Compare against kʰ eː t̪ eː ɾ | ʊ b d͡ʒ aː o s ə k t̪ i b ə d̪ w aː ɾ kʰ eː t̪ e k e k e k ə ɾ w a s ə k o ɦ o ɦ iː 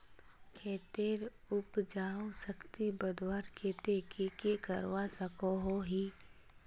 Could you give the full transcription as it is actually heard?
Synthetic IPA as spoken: kʰ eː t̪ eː ɾ | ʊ p d͡ʒ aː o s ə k t̪ i b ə d̪ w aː ɾ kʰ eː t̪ e k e k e k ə ɾ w a s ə k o ɦ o ɦ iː